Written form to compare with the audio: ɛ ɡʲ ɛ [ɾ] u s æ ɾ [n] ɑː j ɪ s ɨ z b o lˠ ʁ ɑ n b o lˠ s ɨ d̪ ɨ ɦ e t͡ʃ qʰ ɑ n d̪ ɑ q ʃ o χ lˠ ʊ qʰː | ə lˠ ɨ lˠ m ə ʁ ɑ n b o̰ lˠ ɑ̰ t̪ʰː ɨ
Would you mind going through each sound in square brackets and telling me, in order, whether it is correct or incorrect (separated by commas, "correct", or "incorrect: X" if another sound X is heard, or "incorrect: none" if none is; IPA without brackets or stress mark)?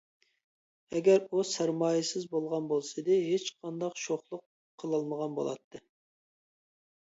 correct, incorrect: m